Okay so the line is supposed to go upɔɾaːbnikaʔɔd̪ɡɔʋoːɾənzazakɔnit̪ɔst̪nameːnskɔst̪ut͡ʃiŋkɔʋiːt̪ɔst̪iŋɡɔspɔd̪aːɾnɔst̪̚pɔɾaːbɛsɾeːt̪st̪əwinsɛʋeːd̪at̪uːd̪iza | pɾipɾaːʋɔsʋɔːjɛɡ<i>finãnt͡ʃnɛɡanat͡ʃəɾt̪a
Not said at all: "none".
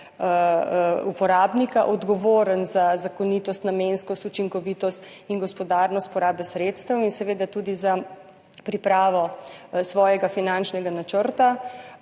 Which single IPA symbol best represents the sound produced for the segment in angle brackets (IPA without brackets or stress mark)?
a